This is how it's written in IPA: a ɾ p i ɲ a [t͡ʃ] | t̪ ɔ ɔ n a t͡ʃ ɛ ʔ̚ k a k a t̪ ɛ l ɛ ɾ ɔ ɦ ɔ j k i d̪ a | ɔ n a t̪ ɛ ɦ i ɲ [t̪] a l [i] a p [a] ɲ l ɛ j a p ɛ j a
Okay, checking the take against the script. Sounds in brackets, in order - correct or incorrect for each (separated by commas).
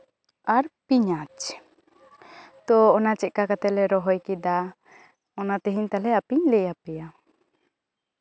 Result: correct, correct, incorrect, incorrect